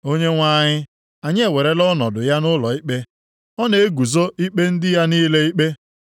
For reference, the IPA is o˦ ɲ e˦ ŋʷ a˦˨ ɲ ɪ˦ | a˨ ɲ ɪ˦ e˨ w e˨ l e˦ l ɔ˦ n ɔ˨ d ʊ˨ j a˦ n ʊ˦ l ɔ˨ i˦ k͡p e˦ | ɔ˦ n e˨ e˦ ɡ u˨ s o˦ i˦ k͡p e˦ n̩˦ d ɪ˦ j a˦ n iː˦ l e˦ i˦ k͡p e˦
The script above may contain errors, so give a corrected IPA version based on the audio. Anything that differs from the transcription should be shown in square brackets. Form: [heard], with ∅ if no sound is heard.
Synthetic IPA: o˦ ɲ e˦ ŋʷ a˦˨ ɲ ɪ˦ | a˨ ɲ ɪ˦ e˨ w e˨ [ɾ] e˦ l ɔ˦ n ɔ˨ d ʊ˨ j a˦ n ʊ˦ l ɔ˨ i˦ k͡p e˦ | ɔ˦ n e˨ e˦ ɡ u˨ [z] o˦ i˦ k͡p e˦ n̩˦ d ɪ˦ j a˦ n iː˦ l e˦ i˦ k͡p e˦

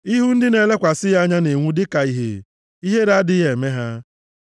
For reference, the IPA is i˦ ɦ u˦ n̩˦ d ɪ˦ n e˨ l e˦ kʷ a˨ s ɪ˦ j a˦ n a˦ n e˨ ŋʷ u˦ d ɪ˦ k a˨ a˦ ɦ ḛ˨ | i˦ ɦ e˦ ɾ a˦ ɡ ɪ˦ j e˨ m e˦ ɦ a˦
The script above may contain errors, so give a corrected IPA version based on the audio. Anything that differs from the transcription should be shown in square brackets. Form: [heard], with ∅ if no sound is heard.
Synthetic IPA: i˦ ɦ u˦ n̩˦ d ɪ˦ n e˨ l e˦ kʷ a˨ s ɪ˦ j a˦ [ɲ] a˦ n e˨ ŋʷ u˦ d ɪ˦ k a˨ [i˦] ɦ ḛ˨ | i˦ ɦ e˦ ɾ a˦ [d] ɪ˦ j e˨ m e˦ ɦ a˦

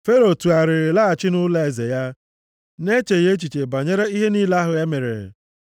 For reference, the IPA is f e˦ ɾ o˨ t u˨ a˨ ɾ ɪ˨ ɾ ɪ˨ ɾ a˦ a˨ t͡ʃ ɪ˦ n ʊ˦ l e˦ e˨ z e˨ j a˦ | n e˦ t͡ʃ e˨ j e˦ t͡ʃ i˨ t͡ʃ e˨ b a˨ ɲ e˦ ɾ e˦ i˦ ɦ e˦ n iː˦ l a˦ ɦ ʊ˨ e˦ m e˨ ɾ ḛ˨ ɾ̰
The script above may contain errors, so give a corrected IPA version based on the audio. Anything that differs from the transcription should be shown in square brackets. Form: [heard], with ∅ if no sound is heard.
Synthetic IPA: f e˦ ɾ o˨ t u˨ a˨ ɾ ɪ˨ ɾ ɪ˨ [l] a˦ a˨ t͡ʃ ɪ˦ n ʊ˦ l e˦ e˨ z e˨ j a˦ | n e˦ t͡ʃ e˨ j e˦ t͡ʃ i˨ t͡ʃ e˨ b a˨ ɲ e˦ ɾ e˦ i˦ ɦ e˦ n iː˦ l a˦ ɦ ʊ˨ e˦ m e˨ ɾ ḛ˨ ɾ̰

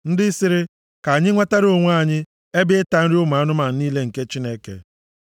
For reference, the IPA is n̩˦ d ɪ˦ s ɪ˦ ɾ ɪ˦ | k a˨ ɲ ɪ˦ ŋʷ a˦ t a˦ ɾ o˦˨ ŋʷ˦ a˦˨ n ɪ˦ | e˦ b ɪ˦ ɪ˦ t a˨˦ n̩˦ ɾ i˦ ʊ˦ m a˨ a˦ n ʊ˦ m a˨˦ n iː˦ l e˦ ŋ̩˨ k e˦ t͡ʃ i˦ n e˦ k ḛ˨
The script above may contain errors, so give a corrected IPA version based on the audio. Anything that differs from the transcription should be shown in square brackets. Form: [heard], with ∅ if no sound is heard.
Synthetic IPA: n̩˦ d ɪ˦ s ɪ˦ ɾ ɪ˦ | k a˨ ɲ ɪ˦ ŋʷ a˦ t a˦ ɾ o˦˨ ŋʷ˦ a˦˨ [ɲ] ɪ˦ | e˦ b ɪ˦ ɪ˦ t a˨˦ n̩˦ ɾ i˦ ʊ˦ m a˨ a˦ n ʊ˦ m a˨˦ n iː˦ l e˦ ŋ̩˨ k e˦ t͡ʃ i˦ n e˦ k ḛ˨

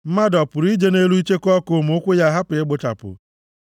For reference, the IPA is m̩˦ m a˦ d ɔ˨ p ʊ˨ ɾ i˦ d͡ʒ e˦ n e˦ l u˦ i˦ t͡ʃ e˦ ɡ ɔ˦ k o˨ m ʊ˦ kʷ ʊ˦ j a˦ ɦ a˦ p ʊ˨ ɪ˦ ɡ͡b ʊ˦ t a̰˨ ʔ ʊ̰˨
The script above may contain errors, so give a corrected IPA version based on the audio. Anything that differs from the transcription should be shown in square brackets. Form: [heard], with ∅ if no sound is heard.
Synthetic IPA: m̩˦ m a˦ d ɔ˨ p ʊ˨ ɾ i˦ d͡ʒ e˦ n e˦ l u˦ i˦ t͡ʃ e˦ [k] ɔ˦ k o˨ m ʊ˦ kʷ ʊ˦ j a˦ ɦ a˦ p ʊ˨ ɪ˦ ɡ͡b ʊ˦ t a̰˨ [p] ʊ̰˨

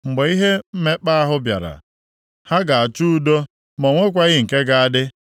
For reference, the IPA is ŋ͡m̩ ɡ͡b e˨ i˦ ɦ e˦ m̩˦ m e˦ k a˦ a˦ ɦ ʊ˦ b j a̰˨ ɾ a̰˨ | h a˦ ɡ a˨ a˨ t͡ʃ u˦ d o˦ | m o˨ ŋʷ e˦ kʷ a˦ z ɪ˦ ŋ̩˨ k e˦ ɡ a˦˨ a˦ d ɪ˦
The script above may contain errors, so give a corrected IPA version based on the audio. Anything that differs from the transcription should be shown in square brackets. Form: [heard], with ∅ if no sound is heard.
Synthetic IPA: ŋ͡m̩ ɡ͡b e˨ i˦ ɦ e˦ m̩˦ m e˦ [k͡p] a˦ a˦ ɦ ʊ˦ b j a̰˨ ɾ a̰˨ | h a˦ ɡ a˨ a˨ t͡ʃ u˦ d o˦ | m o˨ ŋʷ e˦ kʷ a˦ [ɣ] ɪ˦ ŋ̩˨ k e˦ ɡ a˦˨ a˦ d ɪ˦

